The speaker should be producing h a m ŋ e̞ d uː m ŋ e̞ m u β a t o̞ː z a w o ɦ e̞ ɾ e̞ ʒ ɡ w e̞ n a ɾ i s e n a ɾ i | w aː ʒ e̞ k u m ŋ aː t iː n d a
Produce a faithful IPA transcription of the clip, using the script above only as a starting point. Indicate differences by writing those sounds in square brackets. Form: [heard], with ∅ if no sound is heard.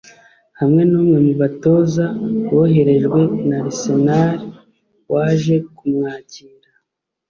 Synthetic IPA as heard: h a m ŋ e̞ [n] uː m ŋ e̞ m u β a t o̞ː z a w o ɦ e̞ ɾ e̞ ʒ ɡ w e̞ n a ɾ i s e n a ɾ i | w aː ʒ e̞ k u m ŋ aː [c] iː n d a